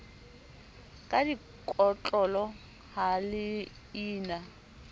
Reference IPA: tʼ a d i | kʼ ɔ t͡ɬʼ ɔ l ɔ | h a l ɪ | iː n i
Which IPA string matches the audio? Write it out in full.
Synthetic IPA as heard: kʼ a d i | kʼ ɔ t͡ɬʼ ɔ l ɔ | h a l ɪ | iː n a